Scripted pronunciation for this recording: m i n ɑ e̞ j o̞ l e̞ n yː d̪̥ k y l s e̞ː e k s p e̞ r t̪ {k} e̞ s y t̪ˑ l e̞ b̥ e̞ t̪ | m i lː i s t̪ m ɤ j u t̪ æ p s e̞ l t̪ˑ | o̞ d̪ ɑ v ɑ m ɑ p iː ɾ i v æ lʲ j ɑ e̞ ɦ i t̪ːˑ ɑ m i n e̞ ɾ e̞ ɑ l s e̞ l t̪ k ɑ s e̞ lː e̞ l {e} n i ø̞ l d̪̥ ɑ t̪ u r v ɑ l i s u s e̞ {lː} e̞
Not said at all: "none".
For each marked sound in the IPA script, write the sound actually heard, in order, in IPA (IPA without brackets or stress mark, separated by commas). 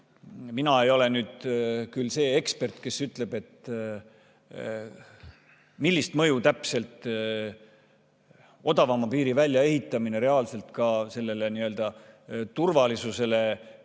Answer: k, e, l